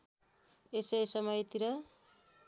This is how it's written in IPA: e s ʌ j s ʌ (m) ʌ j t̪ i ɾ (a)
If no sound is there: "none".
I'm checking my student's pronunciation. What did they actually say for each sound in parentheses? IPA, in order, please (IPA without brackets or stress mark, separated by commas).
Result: m, ʌ